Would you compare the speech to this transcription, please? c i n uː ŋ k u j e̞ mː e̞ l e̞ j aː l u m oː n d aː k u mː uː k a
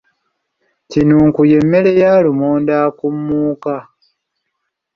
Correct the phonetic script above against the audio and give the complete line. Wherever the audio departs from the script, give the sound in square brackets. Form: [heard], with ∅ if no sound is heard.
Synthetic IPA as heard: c i n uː ŋ k u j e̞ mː e̞ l e̞ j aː l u m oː n d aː k u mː uː k a